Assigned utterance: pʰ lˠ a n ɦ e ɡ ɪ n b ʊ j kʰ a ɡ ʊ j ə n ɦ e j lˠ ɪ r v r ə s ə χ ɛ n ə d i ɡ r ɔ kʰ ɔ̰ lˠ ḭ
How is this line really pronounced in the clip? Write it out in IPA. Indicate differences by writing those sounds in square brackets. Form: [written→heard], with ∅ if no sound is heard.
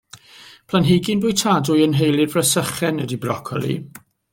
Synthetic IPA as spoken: pʰ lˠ a n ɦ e ɡ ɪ n b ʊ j [kʰ→tʰ] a [ɡ→d] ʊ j ə n ɦ e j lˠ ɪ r v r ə s ə χ ɛ n ə d i [ɡ→b] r ɔ kʰ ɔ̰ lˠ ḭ